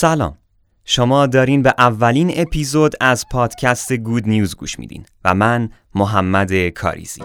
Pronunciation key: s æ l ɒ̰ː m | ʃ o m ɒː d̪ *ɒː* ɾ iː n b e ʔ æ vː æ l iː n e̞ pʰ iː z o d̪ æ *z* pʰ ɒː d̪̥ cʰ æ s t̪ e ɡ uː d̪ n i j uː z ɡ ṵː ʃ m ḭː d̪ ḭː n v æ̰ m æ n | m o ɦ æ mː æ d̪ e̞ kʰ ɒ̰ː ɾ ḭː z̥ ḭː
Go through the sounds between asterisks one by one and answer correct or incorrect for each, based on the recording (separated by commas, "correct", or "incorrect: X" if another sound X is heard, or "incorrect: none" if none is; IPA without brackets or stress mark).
correct, correct